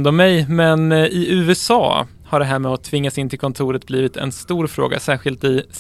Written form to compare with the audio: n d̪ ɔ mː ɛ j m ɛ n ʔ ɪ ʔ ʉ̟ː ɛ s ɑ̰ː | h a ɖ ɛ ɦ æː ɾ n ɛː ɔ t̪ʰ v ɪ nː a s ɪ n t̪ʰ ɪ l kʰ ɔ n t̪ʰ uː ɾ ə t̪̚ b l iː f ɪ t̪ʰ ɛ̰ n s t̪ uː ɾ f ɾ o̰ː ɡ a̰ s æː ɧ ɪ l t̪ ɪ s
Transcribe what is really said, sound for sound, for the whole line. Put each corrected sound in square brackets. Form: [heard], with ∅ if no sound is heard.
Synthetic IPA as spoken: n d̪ ɔ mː ɛ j m ɛ n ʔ ɪ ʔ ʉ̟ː ɛ s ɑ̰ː | h a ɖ ɛ ɦ æː ɾ [m] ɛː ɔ t̪ʰ v ɪ [ŋː] a s ɪ n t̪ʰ ɪ l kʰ ɔ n t̪ʰ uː ɾ ə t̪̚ b l iː [v] ɪ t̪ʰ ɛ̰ n s t̪ uː ɾ f ɾ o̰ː ɡ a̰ s æː ɧ ɪ l t̪ ɪ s